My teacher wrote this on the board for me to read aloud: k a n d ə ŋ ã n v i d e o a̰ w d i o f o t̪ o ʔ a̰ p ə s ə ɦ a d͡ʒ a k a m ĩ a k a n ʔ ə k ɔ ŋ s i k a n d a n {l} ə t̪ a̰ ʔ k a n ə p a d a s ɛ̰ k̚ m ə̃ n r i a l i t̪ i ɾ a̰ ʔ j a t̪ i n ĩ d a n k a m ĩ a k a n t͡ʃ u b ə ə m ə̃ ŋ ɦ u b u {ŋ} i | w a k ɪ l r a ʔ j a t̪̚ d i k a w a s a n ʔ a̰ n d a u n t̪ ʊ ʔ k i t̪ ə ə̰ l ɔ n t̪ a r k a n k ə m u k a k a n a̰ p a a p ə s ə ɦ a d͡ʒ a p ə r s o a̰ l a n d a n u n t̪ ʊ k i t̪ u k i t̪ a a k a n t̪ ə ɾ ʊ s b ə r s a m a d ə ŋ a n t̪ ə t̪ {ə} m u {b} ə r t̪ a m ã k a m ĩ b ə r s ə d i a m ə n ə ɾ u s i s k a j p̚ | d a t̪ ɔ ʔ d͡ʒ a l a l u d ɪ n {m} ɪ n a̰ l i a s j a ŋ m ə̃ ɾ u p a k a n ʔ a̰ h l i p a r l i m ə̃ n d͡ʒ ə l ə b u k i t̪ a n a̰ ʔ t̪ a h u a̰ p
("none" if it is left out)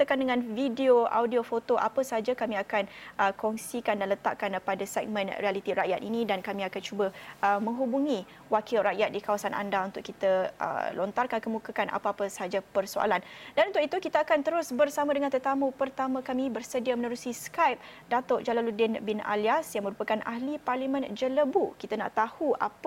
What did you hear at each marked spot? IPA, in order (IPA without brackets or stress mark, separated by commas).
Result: l, ŋ, a, p, b